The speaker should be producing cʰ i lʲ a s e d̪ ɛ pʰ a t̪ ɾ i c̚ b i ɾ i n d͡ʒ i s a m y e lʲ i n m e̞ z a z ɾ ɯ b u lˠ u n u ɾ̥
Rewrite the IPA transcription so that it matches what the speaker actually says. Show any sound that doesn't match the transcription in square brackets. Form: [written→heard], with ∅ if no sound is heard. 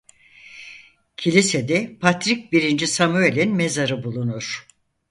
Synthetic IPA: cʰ i lʲ [a→i] s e d̪ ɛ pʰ a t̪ ɾ i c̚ b i ɾ i n d͡ʒ i s a m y e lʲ i n m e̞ z a [z→∅] ɾ ɯ b u lˠ u n u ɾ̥